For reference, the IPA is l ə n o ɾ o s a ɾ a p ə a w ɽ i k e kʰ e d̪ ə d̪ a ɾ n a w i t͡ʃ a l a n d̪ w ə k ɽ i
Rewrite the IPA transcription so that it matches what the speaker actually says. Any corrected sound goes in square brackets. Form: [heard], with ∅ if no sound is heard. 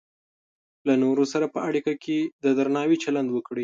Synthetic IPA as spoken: l [a] n o ɾ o s a ɾ a p ə a [∅] ɽ i k [a] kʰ e d̪ ə d̪ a ɾ n [ɑ] w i t͡ʃ a l a n d̪ w ə k ɽ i